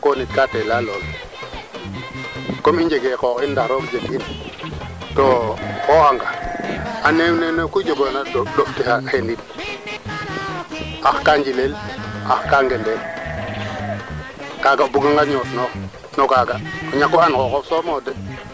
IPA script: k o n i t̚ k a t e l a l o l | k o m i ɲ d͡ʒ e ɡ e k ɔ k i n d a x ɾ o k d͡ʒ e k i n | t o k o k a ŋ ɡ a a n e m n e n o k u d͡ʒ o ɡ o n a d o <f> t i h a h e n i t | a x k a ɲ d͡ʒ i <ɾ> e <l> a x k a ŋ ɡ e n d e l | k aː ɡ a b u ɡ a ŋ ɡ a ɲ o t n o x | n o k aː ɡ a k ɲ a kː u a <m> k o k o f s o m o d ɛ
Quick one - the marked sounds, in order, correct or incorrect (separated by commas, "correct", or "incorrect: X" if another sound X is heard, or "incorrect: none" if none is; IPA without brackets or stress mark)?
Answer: correct, incorrect: l, correct, incorrect: n